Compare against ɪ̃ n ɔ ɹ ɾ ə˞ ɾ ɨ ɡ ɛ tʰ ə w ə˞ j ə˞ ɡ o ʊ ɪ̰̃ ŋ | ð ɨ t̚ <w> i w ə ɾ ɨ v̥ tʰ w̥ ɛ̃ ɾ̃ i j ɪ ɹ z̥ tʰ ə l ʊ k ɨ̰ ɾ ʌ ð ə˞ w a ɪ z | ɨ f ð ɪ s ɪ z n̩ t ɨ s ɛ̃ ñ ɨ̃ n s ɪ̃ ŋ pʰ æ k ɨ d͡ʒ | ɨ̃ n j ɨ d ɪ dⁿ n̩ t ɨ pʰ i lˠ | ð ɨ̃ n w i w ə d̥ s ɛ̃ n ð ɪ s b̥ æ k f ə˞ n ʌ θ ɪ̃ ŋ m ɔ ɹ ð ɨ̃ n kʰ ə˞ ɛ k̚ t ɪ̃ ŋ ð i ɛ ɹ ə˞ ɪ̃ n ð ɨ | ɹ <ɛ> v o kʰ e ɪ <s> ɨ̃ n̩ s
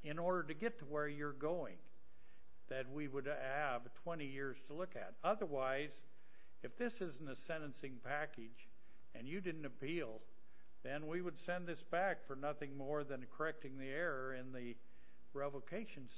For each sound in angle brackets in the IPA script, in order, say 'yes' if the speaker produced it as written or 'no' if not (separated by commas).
yes, yes, no